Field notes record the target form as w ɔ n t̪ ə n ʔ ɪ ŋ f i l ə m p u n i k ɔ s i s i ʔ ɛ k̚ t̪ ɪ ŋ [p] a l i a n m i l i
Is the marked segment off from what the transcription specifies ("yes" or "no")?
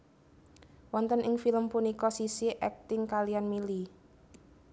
yes